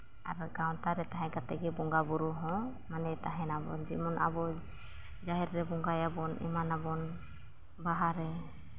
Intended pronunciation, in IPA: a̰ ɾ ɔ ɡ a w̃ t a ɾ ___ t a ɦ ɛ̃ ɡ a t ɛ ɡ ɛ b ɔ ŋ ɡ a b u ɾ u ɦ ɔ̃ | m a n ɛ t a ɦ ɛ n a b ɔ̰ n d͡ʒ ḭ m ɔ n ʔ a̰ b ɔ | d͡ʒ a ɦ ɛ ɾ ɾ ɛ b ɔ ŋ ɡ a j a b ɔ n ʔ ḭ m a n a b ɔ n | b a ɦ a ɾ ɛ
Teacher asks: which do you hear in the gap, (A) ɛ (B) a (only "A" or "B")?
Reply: A